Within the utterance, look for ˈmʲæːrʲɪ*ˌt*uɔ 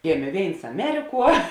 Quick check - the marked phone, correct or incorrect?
incorrect